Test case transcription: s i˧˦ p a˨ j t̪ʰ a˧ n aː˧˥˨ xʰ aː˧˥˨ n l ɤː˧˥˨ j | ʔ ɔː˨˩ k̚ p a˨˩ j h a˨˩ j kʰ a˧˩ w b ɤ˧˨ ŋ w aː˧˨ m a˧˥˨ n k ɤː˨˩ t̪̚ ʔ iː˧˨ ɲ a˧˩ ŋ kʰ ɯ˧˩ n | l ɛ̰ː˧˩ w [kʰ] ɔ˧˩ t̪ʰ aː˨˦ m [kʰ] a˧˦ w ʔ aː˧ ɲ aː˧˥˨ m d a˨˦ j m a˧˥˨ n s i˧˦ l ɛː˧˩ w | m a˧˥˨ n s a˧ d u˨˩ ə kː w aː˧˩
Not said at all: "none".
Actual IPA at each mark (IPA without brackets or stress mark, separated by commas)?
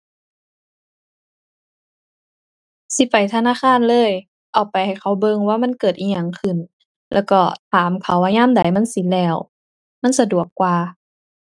k, kʰ